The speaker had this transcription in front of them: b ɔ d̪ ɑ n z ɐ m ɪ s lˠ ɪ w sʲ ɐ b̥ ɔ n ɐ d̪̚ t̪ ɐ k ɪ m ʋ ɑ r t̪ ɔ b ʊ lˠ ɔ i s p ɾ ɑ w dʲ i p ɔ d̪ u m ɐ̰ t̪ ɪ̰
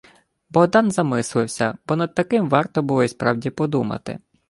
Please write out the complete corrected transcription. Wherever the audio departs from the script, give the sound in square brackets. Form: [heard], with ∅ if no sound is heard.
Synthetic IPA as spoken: b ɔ d̪ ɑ n z ɐ m ɪ s lˠ ɪ w sʲ ɐ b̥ ɔ n ɐ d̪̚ t̪ ɐ k ɪ m ʋ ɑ r t̪ ɔ b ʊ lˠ ɔ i s p ɾ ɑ w dʲ i p ɔ d̪ u m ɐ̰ t̪ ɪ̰